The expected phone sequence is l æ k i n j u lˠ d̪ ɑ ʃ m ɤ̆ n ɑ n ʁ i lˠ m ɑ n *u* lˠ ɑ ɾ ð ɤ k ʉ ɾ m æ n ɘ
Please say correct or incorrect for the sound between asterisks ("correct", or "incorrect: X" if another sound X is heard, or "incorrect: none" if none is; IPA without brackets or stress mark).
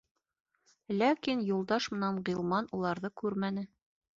correct